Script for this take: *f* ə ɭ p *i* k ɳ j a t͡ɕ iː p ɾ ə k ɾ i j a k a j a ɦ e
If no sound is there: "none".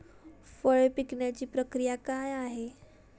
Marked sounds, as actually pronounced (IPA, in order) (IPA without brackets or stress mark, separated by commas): f, i